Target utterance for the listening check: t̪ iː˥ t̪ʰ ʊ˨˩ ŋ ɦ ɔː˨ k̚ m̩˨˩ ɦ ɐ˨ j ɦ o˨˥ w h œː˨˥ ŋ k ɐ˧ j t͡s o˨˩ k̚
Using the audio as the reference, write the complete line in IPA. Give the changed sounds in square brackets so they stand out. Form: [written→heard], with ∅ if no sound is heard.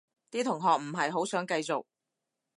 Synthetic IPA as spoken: t̪ iː˥ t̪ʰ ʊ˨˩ ŋ ɦ ɔː˨ k̚ m̩˨˩ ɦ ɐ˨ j ɦ o˨˥ w [h→s] œː˨˥ ŋ k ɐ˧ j t͡s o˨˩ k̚